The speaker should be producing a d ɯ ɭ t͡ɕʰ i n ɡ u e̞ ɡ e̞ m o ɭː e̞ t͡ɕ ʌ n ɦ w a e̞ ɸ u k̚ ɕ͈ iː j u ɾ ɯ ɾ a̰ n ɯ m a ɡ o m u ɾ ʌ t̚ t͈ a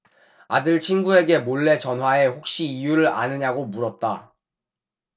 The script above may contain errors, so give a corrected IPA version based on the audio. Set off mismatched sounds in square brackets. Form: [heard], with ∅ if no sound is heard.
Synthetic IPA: a d ɯ ɭ t͡ɕʰ i n ɡ u e̞ ɡ e̞ m o ɭː e̞ t͡ɕ ʌ n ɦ w a e̞ ɸ [o] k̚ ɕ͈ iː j u ɾ ɯ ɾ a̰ n ɯ [ɲ] a ɡ o m u ɾ ʌ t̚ t͈ a